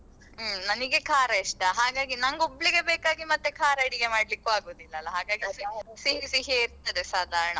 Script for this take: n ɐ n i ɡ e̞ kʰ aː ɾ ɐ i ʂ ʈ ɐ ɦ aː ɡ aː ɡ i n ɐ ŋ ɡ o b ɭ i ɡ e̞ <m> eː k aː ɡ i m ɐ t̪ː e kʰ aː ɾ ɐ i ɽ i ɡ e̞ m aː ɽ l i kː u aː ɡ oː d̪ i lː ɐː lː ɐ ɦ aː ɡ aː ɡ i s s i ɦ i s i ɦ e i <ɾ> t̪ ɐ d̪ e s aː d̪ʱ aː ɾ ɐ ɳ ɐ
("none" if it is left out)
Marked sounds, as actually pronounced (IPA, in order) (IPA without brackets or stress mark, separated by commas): b, ɾ